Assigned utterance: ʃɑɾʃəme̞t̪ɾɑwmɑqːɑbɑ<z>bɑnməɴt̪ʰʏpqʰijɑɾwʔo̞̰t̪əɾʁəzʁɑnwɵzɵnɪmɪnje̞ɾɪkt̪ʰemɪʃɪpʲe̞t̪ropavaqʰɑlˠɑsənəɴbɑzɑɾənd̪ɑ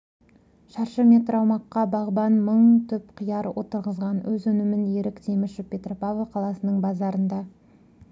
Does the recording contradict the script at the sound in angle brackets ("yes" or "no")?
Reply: yes